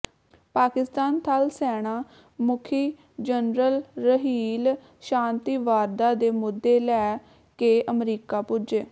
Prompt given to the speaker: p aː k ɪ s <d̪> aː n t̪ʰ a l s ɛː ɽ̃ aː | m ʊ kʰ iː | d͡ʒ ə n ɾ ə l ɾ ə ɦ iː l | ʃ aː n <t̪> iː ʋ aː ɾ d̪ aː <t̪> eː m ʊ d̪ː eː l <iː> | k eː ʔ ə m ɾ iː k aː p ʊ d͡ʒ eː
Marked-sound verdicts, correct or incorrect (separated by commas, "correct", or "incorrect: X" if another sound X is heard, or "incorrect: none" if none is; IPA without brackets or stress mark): incorrect: t̪, correct, incorrect: d̪, incorrect: ɛː